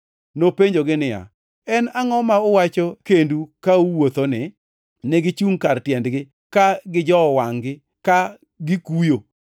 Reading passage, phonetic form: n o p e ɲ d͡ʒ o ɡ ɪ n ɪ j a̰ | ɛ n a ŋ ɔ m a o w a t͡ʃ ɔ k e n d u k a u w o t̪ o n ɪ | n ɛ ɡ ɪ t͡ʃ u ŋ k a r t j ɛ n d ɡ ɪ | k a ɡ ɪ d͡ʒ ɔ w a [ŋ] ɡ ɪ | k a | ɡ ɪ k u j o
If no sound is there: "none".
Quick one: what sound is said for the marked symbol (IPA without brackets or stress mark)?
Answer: ŋ